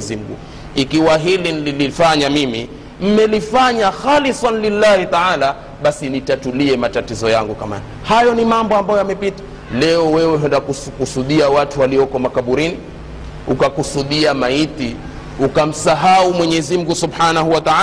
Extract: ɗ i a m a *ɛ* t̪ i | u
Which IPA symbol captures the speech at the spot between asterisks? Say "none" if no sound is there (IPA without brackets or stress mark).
i